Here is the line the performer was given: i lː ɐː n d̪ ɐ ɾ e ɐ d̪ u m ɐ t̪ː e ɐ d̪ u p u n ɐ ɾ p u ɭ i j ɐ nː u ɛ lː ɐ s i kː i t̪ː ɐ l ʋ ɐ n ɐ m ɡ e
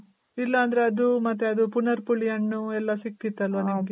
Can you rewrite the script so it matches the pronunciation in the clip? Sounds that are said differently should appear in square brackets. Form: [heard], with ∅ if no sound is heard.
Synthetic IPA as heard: i lː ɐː n d̪ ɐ ɾ e ɐ d̪ u m ɐ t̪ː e ɐ d̪ u p u n ɐ ɾ p u ɭ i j ɐ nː u ɛ lː ɐ s i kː i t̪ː ɐ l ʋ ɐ n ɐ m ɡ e